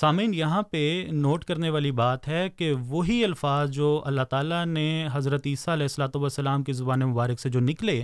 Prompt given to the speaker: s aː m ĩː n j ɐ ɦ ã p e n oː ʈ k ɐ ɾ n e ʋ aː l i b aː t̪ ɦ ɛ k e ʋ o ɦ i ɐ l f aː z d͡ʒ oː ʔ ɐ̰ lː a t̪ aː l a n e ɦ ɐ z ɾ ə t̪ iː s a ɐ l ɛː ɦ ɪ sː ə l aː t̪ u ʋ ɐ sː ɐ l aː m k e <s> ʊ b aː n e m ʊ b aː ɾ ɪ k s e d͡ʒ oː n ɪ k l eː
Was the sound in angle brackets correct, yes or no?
no